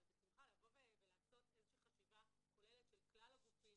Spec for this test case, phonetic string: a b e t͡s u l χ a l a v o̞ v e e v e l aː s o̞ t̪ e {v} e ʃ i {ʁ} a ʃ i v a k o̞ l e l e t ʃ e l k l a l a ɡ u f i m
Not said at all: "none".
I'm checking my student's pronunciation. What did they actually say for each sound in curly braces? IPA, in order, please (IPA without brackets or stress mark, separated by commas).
z, χ